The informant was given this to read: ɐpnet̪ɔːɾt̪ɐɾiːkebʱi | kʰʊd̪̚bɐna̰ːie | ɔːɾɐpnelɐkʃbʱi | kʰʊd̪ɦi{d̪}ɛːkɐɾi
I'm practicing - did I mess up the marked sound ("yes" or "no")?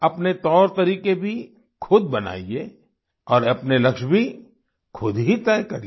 yes